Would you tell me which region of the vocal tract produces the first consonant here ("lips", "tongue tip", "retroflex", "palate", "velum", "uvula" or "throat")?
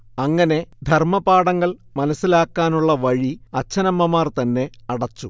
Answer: velum